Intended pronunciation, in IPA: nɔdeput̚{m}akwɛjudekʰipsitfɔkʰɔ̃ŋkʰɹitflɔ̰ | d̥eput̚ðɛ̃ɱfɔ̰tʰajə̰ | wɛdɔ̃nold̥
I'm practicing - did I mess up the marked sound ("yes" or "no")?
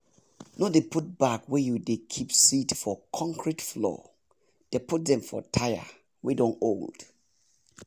yes